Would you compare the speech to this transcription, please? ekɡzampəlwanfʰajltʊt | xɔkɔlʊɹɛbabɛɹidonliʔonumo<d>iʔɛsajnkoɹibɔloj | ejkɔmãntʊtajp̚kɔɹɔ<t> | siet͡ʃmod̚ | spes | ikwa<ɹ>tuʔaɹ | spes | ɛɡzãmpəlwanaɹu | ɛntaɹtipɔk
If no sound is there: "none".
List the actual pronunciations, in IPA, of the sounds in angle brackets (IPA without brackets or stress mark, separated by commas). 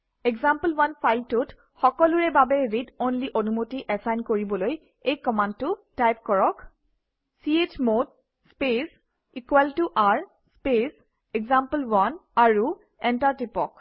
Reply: t, k, l